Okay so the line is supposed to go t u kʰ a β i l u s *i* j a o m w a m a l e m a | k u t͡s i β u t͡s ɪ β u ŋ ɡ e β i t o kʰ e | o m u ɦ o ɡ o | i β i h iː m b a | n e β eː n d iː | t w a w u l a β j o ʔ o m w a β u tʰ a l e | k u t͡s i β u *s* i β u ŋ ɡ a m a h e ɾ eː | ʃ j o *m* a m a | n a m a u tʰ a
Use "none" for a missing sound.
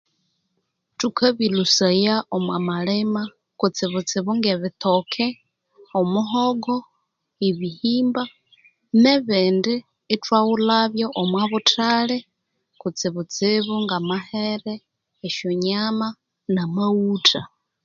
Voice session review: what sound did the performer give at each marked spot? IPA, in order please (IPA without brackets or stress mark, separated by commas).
a, t͡s, ɲ